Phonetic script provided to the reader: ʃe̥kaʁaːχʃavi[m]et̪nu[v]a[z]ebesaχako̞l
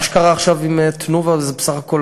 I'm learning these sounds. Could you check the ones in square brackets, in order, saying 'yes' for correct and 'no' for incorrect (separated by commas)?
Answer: yes, yes, yes